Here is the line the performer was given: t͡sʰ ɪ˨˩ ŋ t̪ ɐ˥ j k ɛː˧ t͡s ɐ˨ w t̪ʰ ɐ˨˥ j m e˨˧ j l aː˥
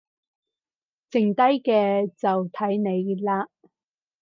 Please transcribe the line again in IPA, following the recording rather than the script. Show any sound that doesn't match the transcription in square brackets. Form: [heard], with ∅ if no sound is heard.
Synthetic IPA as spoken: [t͡s] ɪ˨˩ ŋ t̪ ɐ˥ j k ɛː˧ t͡s ɐ˨ w t̪ʰ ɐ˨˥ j [n] e˨˧ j l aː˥